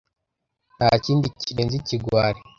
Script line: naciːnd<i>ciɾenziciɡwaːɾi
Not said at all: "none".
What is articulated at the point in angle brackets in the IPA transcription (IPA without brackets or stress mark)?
i